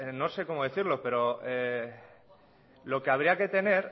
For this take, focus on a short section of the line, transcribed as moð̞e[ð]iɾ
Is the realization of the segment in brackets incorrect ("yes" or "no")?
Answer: yes